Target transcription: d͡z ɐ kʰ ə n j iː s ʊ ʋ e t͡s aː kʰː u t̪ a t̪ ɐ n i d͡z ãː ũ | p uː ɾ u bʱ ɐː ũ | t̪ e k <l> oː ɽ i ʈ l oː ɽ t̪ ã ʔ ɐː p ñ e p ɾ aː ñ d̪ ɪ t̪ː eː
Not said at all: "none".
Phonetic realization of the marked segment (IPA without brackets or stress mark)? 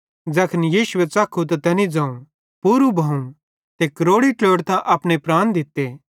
ɾ